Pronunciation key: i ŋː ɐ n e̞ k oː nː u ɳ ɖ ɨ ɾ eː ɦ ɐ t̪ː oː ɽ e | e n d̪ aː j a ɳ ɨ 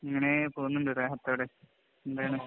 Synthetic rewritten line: i ŋː ɐ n e̞ p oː nː u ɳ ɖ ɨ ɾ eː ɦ ɐ t̪ː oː ɽ e | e n d̪ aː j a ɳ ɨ